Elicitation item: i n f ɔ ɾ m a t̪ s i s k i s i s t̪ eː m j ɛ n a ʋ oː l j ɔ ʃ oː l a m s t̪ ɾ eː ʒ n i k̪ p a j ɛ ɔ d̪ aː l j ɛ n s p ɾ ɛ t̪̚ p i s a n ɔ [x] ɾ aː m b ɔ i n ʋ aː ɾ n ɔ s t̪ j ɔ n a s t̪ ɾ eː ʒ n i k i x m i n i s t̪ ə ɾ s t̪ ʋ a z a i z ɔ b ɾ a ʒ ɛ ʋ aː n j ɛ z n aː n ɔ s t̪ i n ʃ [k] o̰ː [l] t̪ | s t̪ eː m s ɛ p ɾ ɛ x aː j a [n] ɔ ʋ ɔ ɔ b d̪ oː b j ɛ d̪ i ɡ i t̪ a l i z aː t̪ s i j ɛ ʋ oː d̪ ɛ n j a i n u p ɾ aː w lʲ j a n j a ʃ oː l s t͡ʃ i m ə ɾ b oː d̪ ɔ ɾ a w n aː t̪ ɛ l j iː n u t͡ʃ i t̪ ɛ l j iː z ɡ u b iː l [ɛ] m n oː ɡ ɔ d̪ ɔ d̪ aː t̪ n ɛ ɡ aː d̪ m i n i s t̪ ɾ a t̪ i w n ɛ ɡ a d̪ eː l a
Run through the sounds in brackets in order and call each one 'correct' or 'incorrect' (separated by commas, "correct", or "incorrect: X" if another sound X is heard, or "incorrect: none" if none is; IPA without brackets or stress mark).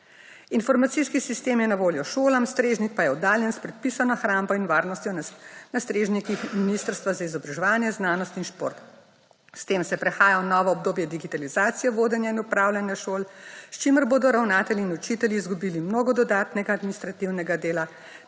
correct, incorrect: p, incorrect: ɾ, correct, incorrect: i